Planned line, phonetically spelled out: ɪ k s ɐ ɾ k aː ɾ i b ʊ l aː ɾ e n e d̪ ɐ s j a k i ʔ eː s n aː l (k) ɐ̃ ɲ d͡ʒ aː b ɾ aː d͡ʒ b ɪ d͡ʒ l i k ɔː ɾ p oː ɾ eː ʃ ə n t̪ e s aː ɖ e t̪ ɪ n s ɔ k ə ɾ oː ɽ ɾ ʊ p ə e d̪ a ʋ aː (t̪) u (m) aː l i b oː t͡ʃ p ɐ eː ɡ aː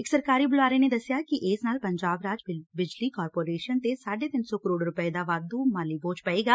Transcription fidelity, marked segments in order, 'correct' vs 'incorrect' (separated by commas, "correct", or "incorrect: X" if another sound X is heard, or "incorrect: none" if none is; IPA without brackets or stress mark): incorrect: p, incorrect: d̪, correct